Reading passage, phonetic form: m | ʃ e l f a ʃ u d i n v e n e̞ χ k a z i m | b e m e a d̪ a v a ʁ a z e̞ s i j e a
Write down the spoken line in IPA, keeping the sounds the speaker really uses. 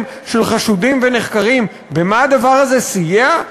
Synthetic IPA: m | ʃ e l χ a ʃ u d i m v e n e̞ χ k a ʁ i m | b e m a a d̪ a v a ʁ a z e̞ s i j e a